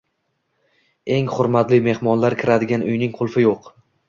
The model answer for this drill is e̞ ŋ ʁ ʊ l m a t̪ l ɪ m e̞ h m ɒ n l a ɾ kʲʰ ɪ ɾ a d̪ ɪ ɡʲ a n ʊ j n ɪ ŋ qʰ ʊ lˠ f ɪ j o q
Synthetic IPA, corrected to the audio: e̞ ŋ χ ʊ ɾ m a t̪ l ɪ m e̞ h m ɒ n l a ɾ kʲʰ ɪ ɾ a d̪ ɪ ɡʲ a n ʊ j n ɪ ŋ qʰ ʊ lˠ f ɪ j o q